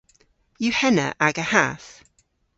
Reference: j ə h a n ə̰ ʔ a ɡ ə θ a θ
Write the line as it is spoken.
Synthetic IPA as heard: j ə h ɛ n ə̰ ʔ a ɡ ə h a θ